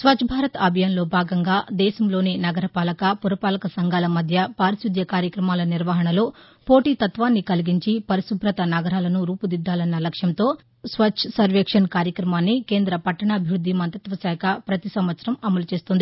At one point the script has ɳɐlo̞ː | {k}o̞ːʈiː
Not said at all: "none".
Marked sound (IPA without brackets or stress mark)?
p